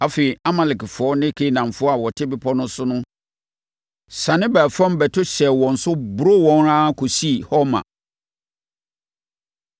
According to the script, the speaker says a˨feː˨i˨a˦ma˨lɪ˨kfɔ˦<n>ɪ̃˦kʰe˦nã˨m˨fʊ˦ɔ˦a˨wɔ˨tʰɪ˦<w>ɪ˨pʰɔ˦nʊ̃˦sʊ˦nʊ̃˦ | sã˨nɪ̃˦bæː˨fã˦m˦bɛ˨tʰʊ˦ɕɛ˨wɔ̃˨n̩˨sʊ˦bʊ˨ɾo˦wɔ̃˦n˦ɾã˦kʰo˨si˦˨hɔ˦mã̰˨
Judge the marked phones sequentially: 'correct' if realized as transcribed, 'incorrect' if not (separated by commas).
correct, incorrect